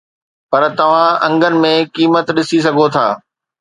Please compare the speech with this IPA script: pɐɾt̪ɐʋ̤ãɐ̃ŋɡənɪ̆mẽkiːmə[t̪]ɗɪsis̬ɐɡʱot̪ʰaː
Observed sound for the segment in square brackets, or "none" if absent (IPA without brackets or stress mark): t̪